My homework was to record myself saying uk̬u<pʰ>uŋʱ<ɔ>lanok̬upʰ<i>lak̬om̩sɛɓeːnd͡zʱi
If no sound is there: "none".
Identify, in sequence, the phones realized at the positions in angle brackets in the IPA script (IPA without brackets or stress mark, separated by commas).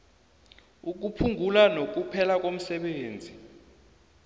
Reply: pʰ, u, ɛ